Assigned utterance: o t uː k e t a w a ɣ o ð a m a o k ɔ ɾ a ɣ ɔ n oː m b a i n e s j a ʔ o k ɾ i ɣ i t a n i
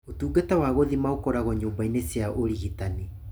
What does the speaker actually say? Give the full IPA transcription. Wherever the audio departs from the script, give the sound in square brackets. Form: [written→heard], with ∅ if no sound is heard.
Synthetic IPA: o t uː [k→ɡ] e t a w a ɣ o ð [a→i] m a o k ɔ ɾ a ɣ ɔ [n→ɲ] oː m b a i n e s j a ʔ o [k→∅] ɾ i ɣ i t a n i